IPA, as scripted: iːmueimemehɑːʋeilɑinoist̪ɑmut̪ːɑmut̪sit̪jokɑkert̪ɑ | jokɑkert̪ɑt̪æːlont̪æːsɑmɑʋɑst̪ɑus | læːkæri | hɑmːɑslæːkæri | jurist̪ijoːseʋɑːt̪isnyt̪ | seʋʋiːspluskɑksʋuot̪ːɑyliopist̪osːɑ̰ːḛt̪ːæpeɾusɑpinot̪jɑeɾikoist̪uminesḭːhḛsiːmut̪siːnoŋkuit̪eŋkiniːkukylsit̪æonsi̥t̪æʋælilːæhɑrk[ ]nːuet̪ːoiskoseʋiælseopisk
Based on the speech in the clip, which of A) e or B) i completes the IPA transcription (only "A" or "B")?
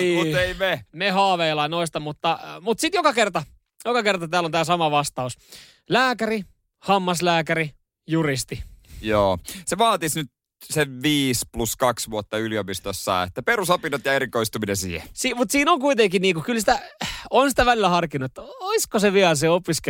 B